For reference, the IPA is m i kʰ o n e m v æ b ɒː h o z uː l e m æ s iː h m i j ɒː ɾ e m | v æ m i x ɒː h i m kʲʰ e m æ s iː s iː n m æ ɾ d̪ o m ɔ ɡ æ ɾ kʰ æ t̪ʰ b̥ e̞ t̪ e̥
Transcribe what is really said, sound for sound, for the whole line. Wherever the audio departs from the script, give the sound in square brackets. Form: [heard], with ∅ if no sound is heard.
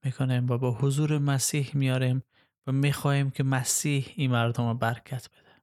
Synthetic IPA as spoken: m i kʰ o n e m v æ b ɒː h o z uː [ɾ] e m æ s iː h m i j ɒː ɾ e m | v æ m i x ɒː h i m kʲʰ e m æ s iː [h] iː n m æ ɾ d̪ o m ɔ [b] æ ɾ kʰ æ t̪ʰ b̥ e̞ [d̪] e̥